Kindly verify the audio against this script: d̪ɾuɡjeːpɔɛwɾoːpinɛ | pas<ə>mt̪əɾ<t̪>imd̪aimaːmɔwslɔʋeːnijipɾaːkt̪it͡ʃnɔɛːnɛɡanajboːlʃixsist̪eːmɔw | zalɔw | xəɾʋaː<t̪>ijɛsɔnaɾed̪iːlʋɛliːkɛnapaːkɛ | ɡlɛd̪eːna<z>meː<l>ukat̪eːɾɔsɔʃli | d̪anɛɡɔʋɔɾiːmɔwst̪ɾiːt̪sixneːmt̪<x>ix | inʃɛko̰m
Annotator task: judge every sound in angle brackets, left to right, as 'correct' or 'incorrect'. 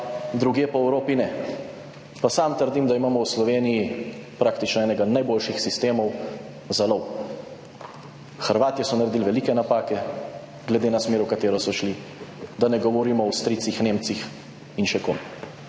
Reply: incorrect, incorrect, correct, incorrect, incorrect, incorrect

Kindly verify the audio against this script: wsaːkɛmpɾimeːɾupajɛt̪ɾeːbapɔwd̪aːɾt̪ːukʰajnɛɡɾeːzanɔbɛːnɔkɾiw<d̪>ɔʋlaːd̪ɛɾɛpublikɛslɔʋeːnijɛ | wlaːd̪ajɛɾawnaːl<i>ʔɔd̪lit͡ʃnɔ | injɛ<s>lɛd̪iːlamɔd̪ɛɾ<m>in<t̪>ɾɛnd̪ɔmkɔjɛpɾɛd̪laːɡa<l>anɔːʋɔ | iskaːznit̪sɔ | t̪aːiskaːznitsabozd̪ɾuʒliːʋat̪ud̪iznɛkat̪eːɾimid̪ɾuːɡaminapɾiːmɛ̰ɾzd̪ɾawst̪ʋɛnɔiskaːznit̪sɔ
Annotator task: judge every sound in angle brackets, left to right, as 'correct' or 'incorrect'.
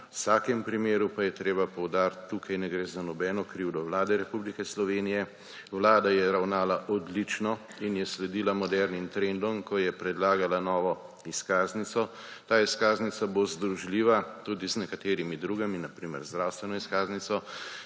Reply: correct, incorrect, correct, incorrect, correct, correct

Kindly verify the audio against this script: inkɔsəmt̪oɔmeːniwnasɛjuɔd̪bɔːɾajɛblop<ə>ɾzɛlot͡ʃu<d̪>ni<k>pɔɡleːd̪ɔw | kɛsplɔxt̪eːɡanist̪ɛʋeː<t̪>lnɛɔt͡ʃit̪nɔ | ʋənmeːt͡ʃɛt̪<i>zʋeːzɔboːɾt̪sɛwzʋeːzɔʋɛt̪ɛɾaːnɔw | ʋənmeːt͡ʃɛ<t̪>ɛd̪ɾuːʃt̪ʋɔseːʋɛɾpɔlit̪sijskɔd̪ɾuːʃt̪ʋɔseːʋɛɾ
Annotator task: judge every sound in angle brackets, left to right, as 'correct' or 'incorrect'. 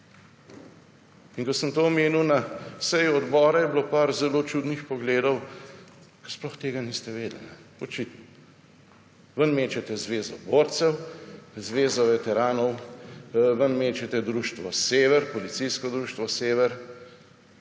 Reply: incorrect, correct, incorrect, incorrect, incorrect, correct

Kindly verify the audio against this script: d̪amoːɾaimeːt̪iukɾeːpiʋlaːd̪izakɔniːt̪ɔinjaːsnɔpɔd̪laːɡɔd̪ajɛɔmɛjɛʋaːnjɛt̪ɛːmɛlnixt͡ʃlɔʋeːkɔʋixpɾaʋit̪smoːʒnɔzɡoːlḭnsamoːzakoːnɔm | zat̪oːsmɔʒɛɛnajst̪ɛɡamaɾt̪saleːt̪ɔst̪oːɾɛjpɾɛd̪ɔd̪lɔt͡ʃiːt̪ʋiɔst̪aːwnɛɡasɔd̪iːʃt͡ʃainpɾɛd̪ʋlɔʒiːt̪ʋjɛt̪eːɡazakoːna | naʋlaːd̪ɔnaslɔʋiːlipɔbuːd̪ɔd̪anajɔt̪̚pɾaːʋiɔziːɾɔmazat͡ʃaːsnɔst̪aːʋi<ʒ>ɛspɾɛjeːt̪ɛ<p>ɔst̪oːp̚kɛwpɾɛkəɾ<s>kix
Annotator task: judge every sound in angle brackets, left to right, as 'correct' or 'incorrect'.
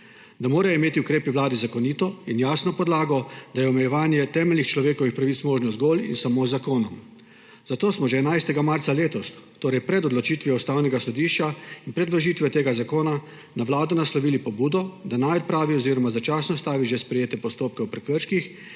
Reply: correct, correct, incorrect

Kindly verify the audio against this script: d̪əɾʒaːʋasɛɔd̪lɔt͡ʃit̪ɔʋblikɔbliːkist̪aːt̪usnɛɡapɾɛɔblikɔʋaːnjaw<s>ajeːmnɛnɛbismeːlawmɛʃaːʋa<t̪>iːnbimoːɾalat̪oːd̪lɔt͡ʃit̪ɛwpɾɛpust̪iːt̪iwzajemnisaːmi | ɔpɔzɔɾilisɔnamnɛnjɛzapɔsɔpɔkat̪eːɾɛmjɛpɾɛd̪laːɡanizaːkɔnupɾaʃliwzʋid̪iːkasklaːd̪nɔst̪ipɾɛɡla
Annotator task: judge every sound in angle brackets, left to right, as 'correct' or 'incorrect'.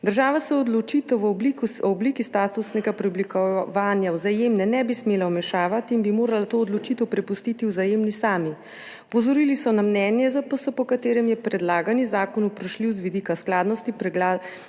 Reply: incorrect, correct

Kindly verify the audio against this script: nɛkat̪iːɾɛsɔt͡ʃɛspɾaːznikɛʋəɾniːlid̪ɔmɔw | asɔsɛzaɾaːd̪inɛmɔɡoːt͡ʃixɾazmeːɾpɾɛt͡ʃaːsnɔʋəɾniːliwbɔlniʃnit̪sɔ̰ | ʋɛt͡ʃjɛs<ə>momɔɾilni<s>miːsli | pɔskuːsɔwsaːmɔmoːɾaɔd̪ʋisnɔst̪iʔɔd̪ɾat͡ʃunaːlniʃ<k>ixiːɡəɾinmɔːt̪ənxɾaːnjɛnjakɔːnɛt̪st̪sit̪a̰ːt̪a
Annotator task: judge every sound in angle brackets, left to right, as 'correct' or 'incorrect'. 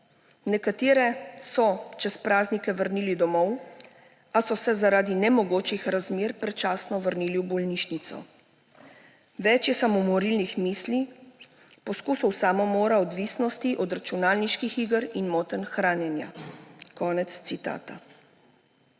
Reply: incorrect, incorrect, correct

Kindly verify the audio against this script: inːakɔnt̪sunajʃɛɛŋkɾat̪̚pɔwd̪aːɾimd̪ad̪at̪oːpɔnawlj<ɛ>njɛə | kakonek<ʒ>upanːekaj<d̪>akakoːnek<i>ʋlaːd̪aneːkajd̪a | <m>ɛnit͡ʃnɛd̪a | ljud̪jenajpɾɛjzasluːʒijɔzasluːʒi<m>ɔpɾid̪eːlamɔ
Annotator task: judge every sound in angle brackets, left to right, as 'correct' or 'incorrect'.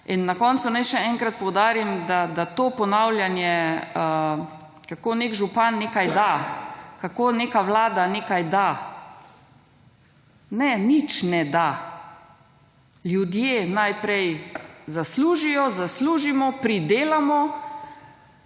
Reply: incorrect, correct, correct, incorrect, incorrect, correct

